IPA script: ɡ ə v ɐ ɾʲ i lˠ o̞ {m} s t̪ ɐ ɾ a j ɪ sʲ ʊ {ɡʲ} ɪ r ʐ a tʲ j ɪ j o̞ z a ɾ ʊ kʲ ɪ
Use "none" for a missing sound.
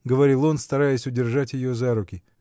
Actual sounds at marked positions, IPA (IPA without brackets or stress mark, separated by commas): n, dʲ